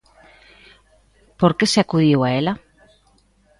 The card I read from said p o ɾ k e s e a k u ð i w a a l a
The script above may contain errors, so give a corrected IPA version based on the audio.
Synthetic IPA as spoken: p o ɾ k e s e a k u ð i w a e l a